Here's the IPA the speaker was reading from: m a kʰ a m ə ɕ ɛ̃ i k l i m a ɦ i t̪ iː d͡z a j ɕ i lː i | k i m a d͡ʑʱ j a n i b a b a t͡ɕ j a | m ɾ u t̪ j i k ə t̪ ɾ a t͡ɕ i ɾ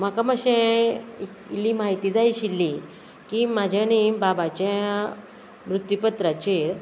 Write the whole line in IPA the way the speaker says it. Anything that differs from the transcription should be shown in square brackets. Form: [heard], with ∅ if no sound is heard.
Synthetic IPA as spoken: m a [k] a m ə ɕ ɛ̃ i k l i m a ɦ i t̪ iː d͡z a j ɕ i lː i | k i m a d͡ʑʱ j a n i b a b a t͡ɕ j a | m ɾ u t̪ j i [p] ə t̪ ɾ a t͡ɕ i ɾ